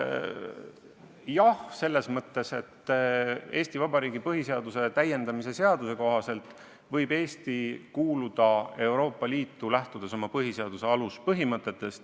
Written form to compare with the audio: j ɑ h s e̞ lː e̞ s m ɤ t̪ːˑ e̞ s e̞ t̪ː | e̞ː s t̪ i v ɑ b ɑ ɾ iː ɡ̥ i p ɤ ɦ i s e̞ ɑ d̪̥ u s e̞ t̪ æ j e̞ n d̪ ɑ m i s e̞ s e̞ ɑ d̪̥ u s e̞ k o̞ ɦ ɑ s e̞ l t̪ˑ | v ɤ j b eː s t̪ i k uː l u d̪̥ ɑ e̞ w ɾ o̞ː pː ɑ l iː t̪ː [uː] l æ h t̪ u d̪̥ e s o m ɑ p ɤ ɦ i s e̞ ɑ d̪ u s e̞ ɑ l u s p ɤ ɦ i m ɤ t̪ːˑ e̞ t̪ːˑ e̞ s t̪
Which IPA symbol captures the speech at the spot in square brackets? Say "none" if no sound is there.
u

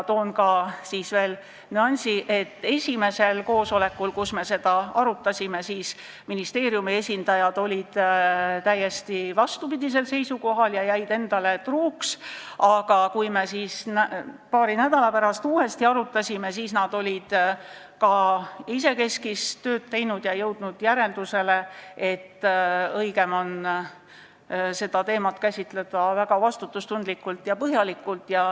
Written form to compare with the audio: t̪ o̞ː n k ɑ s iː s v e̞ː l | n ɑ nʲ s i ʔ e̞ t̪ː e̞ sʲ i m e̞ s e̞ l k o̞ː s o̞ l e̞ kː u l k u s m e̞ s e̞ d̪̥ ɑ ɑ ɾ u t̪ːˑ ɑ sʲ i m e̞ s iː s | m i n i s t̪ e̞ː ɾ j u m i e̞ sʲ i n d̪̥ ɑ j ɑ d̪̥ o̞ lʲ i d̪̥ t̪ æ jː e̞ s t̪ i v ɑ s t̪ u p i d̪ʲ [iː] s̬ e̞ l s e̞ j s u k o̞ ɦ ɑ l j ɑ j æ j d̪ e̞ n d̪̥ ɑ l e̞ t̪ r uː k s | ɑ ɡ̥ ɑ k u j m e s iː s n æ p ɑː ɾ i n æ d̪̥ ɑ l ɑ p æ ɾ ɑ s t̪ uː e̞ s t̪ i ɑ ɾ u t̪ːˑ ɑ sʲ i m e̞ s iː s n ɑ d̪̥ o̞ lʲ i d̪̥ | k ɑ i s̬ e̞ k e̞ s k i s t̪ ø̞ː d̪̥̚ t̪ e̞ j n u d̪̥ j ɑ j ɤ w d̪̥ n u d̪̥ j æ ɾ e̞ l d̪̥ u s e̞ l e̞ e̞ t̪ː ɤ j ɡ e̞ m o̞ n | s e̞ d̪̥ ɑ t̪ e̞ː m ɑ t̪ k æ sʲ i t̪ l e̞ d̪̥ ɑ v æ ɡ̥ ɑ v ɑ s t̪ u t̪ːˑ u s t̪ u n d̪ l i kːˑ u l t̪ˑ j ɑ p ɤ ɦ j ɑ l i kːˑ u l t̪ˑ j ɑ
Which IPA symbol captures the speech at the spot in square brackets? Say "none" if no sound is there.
i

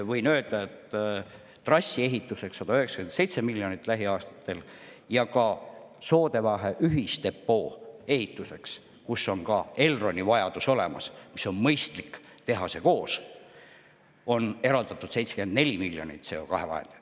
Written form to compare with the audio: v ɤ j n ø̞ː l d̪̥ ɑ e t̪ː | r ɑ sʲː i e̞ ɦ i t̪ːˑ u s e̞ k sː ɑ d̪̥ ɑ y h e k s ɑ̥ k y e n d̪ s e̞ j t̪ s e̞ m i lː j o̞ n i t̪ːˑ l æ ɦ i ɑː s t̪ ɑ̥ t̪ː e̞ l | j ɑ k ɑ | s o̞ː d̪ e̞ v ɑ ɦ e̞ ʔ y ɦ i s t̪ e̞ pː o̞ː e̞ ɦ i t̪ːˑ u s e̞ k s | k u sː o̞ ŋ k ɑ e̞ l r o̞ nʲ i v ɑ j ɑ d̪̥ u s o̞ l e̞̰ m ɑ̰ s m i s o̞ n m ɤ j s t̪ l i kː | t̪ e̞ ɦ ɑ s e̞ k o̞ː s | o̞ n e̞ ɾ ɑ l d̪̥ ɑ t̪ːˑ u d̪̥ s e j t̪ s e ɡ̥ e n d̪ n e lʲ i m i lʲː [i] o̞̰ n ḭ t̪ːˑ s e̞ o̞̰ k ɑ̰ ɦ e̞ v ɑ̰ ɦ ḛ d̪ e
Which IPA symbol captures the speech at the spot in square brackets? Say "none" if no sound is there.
j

